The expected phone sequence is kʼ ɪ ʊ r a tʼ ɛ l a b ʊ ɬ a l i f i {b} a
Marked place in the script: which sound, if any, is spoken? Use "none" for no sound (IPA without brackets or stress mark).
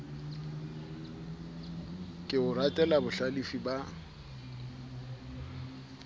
b